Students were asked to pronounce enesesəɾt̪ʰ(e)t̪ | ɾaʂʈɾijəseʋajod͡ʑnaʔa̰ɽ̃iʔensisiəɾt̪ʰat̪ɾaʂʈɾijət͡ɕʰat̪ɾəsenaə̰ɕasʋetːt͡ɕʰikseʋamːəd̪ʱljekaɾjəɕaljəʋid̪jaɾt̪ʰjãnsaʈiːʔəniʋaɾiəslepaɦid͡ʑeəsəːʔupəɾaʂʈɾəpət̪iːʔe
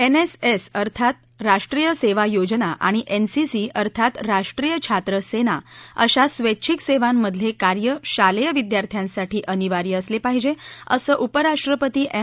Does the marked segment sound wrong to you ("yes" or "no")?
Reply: yes